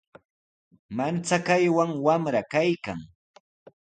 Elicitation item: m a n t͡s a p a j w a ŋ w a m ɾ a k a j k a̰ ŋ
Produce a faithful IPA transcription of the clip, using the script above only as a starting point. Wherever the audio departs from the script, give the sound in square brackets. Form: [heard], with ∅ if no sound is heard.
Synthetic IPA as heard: m a n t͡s a [k] a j w a ŋ w a m ɾ a k a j k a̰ ŋ